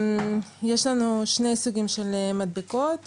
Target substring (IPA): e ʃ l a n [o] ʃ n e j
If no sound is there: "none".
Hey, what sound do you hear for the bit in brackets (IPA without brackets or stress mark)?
u